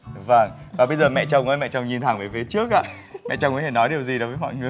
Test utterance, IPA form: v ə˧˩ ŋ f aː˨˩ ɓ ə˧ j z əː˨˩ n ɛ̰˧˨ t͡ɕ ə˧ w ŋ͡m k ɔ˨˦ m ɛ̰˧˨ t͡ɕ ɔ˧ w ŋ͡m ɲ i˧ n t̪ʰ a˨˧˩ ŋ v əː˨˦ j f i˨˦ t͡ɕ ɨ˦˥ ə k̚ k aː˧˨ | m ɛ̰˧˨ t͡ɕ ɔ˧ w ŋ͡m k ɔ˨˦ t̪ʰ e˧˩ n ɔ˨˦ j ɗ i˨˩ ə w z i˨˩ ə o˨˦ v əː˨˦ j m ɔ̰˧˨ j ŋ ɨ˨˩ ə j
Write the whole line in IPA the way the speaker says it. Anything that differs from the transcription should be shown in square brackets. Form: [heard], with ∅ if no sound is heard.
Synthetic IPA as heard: v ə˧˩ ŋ [v] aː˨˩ ɓ ə˧ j z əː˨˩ [m] ɛ̰˧˨ t͡ɕ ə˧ w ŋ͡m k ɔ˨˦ m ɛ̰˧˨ t͡ɕ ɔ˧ w ŋ͡m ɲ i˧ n t̪ʰ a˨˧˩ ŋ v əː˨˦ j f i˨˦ t͡ɕ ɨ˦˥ ə k̚ [ʔ] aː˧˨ | m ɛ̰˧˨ t͡ɕ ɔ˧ w ŋ͡m k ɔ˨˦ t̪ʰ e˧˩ n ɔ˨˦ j ɗ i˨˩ ə w z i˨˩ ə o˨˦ v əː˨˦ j m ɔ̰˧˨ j ŋ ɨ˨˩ ə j